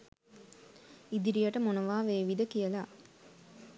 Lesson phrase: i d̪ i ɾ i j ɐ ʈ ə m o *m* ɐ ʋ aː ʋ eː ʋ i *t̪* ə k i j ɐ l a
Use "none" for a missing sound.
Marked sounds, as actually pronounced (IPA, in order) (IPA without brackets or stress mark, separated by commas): n, d̪